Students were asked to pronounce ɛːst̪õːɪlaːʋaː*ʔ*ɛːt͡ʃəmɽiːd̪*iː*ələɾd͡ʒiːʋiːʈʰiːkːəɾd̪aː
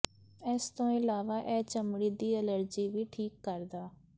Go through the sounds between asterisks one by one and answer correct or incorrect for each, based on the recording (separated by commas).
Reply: correct, correct